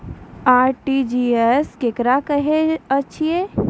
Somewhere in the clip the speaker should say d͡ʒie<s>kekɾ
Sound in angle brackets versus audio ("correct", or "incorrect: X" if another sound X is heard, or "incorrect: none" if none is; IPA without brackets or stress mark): correct